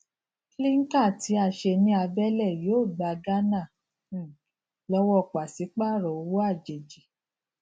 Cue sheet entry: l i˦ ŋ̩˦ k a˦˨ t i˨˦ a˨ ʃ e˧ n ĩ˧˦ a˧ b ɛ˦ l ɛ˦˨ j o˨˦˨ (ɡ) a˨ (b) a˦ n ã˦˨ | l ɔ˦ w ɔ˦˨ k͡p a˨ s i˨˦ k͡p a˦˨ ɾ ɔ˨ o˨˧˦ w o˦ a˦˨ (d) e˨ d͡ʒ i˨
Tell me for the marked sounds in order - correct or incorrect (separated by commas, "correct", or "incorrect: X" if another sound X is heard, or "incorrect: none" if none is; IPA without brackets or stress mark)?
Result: incorrect: ɡ͡b, incorrect: ɡ, incorrect: d͡ʒ